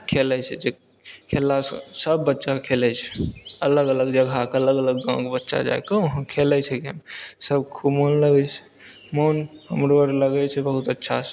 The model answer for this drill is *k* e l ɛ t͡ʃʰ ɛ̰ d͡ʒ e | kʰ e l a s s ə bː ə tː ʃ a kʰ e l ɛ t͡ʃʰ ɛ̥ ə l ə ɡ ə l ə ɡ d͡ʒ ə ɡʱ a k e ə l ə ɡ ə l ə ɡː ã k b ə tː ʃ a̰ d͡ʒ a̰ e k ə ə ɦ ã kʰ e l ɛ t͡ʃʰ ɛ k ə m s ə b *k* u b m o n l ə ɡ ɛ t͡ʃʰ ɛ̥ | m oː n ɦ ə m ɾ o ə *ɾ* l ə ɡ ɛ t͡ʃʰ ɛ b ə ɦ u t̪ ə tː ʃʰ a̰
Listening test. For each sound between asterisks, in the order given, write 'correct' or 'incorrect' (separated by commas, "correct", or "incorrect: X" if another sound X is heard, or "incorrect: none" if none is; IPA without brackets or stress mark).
incorrect: kʰ, incorrect: kʰ, correct